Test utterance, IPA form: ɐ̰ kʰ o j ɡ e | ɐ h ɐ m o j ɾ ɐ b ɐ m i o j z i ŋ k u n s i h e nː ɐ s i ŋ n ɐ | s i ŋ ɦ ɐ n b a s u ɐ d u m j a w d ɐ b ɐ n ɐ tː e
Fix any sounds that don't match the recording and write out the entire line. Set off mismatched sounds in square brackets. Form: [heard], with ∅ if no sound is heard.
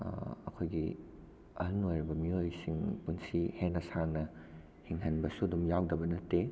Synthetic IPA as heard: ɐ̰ kʰ o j ɡ [i] | ɐ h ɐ [n] o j ɾ ɐ b ɐ m i o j [s] i ŋ [p] u n s i h e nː ɐ s [a] ŋ n ɐ | [h] i ŋ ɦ ɐ n b [ɐ] s u ɐ d u m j a w d ɐ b ɐ n ɐ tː e